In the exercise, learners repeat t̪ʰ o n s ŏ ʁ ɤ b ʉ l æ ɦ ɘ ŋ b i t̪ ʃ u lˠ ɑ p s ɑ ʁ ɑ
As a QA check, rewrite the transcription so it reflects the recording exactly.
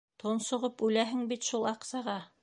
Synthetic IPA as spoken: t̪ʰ o n s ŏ ʁ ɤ p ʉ l æ ɦ ɘ ŋ b i t̪ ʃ u lˠ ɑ q s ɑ ʁ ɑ